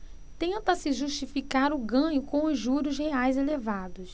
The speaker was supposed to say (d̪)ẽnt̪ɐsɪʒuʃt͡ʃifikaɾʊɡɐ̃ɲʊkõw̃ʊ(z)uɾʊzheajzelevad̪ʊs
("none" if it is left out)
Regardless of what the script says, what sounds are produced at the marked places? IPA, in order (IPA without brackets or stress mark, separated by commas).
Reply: t̪, ʒ